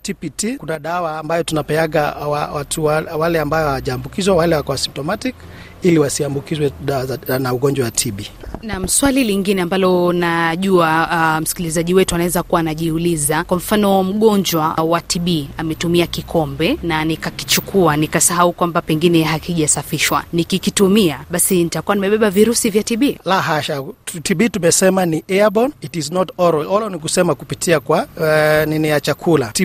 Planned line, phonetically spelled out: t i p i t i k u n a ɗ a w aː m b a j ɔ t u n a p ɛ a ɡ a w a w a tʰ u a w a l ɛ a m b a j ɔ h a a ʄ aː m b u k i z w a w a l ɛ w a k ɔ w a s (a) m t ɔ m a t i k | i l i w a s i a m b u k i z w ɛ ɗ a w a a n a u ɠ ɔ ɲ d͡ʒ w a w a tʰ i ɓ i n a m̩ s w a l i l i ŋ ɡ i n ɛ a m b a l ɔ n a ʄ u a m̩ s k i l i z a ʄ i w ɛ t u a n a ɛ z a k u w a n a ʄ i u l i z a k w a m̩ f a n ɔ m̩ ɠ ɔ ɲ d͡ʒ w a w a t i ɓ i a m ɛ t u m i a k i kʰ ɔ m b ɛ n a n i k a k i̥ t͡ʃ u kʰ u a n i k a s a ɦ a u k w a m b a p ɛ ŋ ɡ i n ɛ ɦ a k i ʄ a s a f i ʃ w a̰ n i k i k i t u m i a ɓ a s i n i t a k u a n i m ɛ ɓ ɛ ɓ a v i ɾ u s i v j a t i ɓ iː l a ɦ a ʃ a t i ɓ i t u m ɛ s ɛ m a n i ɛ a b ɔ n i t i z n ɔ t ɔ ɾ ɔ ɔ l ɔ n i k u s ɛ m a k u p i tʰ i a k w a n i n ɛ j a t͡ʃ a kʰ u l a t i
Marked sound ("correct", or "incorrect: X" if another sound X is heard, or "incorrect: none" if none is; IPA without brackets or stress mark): incorrect: i